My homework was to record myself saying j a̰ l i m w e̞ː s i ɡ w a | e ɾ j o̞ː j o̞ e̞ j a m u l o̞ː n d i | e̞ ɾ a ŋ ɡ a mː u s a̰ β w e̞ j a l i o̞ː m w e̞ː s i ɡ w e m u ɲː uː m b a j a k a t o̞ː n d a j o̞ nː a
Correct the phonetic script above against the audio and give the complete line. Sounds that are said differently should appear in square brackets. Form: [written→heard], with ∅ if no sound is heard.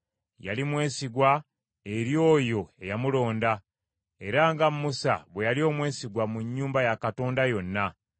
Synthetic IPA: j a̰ l i m w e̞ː s i ɡ w a | e ɾ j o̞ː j o̞ e̞ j a m u l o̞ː n d [i→a] | e̞ ɾ a ŋ ɡ a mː u s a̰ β w e̞ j a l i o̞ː m w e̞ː s i ɡ w [e→a] m u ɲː uː m b a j a k a t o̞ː n d a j o̞ nː a